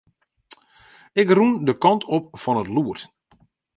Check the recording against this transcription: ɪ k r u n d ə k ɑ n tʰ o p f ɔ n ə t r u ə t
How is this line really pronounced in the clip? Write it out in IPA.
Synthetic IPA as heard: ɪ k r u n d ə k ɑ n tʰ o p f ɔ n ə t l u ə t